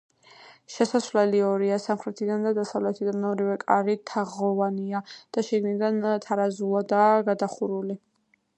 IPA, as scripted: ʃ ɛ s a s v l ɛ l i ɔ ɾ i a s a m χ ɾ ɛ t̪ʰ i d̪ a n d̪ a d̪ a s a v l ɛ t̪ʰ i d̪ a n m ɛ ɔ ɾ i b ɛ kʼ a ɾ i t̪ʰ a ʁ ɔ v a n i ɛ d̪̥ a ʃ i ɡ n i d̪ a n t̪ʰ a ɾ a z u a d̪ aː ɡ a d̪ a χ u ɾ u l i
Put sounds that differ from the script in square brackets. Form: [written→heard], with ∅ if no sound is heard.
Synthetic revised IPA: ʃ ɛ s a s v l ɛ l i ɔ ɾ i a s a m χ ɾ ɛ t̪ʰ i d̪ a n d̪ a d̪ a s a v l ɛ t̪ʰ i d̪ a n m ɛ ɔ ɾ i [b→v] ɛ kʼ a ɾ i t̪ʰ a ʁ ɔ v a n i [ɛ→a] d̪̥ a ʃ i ɡ n i d̪ a n t̪ʰ a ɾ a z u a d̪ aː ɡ a d̪ a χ u ɾ u l i